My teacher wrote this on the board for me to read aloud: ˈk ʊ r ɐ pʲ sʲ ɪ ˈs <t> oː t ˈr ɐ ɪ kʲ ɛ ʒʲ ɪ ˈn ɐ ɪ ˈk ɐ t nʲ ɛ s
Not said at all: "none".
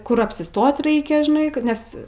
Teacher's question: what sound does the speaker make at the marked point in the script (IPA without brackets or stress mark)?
t